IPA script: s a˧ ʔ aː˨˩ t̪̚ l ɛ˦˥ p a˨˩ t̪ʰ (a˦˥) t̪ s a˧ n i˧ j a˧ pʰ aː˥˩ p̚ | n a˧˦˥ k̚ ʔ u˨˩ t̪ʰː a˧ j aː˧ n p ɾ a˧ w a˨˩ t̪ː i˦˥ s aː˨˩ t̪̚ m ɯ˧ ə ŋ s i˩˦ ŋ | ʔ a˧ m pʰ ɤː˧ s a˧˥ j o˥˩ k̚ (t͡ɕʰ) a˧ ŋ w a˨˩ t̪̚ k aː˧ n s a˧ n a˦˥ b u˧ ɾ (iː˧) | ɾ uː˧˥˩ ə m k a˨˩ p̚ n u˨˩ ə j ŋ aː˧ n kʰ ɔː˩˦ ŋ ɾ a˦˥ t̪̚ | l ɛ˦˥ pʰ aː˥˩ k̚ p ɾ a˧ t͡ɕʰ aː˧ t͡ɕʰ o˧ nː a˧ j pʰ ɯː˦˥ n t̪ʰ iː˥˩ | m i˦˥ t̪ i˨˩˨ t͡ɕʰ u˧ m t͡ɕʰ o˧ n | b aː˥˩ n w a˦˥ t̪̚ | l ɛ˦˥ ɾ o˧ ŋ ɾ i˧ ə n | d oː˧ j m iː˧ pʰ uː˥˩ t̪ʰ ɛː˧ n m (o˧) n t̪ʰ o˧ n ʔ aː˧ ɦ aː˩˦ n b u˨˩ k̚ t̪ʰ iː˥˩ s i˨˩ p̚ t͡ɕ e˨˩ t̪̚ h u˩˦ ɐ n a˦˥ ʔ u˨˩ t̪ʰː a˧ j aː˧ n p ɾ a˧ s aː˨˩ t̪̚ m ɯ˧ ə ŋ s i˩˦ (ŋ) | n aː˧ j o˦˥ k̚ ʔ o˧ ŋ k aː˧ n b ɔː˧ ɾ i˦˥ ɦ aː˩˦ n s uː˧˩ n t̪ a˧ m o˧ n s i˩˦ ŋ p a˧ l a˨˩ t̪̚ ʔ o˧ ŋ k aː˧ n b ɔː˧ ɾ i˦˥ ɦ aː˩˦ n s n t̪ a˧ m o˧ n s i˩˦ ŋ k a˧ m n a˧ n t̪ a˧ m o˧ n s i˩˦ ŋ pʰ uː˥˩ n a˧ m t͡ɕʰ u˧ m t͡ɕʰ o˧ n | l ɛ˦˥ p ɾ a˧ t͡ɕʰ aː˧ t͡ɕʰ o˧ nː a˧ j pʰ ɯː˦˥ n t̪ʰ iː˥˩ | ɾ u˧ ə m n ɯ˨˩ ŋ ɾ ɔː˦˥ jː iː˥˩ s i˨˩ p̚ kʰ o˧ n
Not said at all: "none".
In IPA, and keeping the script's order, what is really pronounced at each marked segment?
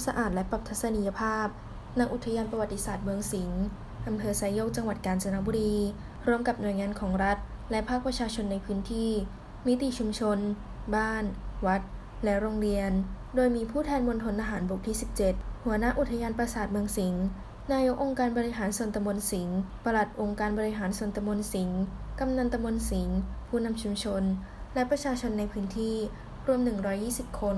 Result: a˦˥, t͡ɕ, iː˧, o˧, ŋ

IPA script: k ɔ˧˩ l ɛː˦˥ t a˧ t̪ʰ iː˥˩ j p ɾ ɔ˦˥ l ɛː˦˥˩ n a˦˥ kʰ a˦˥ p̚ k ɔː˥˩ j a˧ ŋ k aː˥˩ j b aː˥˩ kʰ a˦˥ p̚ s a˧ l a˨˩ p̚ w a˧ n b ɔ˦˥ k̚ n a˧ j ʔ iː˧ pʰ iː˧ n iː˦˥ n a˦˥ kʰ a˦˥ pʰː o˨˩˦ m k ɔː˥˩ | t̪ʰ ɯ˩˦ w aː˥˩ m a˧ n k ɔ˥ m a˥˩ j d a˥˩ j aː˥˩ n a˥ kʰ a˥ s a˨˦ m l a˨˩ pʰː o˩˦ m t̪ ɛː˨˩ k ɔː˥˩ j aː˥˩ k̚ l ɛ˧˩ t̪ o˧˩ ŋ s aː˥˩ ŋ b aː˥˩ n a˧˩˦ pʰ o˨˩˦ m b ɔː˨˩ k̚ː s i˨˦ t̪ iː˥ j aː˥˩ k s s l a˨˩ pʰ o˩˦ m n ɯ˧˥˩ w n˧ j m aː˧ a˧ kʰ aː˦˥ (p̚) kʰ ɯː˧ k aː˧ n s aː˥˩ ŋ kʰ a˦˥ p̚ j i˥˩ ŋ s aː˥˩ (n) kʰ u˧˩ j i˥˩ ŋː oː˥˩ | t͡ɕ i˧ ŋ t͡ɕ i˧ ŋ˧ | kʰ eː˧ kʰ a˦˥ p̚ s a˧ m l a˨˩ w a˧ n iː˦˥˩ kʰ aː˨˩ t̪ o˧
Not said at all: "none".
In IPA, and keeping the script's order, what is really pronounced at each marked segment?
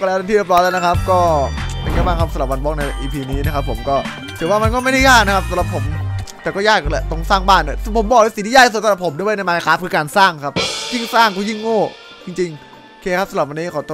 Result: p̚, ŋ

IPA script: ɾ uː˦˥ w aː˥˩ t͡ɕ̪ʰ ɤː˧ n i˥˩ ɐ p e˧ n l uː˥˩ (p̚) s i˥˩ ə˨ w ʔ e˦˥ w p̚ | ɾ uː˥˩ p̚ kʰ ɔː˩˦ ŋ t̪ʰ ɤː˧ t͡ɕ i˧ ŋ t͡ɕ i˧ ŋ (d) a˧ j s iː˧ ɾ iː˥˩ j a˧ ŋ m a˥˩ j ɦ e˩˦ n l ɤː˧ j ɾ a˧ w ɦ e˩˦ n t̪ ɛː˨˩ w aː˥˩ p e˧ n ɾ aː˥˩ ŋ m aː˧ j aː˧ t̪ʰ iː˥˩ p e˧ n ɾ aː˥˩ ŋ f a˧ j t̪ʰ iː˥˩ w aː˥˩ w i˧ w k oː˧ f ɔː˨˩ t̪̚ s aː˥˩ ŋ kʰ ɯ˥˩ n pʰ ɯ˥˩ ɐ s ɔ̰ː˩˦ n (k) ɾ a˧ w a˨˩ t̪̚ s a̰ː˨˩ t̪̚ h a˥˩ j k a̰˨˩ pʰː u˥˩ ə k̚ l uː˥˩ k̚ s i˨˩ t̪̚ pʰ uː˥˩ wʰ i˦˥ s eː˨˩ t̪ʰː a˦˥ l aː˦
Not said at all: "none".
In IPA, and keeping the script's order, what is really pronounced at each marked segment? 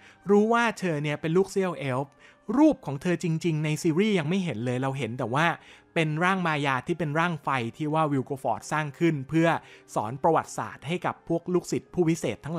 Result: k̚, n, p

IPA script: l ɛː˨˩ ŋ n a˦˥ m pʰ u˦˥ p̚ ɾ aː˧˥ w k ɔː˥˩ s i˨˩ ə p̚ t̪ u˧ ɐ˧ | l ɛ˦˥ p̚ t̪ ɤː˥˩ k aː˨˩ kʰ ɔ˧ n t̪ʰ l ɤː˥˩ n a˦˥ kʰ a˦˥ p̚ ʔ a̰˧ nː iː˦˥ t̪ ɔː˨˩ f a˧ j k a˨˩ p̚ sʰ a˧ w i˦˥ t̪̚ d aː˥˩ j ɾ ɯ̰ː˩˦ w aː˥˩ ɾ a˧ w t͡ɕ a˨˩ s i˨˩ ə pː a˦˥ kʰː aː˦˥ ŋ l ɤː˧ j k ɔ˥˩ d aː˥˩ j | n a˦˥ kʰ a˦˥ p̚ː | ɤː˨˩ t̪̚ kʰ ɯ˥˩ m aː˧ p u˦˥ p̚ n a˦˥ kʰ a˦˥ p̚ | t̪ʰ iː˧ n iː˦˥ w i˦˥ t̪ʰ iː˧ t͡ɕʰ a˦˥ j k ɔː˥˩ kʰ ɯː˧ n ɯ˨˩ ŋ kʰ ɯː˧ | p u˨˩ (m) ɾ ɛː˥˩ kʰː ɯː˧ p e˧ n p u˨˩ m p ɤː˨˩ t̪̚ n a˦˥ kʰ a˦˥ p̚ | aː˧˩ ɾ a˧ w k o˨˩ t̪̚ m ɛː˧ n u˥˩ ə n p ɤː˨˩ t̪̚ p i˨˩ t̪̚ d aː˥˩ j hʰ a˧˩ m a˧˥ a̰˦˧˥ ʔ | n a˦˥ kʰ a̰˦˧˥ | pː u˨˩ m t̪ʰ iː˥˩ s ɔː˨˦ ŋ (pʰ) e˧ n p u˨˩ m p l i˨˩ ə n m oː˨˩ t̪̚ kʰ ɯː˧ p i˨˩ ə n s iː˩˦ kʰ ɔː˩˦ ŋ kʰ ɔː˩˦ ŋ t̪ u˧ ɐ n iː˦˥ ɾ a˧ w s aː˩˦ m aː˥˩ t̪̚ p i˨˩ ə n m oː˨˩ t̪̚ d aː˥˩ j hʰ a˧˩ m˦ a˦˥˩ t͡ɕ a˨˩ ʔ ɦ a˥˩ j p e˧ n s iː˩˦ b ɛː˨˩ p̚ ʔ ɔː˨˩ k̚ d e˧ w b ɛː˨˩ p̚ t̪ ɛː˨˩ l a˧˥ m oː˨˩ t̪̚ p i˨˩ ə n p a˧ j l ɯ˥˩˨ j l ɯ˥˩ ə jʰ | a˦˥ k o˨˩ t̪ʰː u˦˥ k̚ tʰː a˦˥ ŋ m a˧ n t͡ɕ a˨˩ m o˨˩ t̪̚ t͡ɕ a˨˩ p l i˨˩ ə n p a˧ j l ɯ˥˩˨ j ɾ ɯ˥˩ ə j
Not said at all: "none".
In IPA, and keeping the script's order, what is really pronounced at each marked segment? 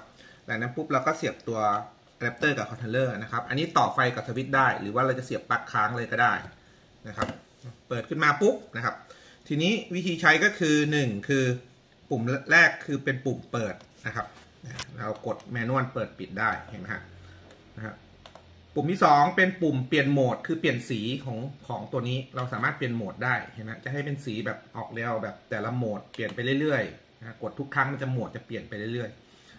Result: m, p

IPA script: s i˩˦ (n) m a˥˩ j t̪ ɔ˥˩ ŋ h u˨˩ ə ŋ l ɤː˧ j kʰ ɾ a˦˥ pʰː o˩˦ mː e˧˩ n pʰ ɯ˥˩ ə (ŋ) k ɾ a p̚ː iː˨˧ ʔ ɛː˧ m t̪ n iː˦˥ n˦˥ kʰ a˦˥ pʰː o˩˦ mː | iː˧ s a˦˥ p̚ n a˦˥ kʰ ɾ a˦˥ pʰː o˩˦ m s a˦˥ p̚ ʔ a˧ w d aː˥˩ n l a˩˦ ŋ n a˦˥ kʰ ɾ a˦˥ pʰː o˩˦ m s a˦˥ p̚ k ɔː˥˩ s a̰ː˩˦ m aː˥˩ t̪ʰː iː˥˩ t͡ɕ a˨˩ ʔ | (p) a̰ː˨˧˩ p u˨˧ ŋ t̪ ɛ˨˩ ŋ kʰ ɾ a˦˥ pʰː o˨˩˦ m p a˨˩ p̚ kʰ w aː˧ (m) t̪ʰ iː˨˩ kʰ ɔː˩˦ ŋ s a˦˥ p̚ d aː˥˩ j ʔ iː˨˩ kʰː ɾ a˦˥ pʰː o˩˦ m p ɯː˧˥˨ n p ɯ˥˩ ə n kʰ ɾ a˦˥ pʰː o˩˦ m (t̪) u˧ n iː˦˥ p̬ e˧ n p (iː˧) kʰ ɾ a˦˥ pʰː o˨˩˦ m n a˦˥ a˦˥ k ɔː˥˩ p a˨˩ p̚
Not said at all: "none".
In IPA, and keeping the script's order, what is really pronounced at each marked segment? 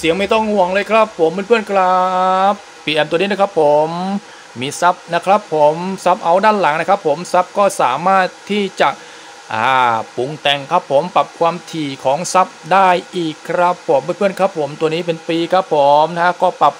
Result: ŋ, n, ʔ, m, t̪, iː˧

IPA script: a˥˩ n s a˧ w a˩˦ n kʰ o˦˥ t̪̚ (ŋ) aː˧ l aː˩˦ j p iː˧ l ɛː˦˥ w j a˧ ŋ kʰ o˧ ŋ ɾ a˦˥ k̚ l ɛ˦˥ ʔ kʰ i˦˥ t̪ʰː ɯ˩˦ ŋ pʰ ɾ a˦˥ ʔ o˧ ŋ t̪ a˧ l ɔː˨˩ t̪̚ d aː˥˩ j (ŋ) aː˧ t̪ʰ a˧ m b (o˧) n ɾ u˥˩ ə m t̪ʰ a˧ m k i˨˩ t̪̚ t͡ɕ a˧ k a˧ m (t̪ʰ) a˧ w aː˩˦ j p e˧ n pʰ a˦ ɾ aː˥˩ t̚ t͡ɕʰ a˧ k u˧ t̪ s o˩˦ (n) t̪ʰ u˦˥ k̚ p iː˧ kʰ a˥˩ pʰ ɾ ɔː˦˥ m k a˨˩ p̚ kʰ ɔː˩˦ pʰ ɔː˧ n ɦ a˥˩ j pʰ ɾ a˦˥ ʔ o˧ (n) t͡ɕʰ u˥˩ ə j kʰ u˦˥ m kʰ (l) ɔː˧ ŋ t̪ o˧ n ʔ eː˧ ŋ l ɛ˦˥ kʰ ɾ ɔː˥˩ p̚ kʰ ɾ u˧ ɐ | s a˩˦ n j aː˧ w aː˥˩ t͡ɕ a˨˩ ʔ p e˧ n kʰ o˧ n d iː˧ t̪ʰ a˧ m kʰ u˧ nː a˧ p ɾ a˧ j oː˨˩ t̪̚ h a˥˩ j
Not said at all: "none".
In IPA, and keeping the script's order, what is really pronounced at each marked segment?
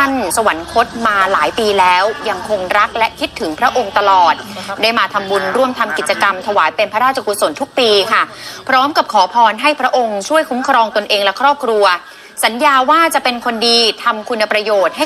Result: m, m, u˧, t̪ʰ, n, ŋ, ɾ

